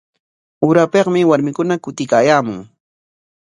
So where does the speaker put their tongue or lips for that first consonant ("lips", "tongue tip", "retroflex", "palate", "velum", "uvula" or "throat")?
tongue tip